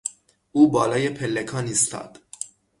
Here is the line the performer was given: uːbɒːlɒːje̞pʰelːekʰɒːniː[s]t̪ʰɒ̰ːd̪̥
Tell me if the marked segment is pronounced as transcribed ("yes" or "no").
yes